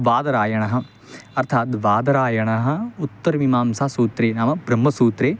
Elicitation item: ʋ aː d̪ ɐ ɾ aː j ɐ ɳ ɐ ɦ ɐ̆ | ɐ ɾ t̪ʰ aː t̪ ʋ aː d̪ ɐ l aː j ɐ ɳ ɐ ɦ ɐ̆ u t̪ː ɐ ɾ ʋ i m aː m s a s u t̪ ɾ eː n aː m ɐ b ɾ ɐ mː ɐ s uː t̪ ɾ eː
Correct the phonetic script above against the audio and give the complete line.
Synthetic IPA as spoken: ʋ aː d̪ ɐ ɾ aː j ɐ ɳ ɐ ɦ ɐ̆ | ɐ ɾ t̪ʰ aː t̪ ʋ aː d̪ ɐ ɾ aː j ɐ ɳ ɐ ɦ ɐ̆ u t̪ː ɐ ɾ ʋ i m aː m s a s uː t̪ ɾ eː n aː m ɐ b ɾ ɐ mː ɐ s uː t̪ ɾ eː